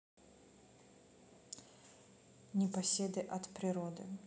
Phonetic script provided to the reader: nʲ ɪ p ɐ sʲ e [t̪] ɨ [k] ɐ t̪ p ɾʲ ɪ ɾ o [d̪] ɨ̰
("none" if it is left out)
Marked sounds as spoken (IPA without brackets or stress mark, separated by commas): d̪, ʔ, d̪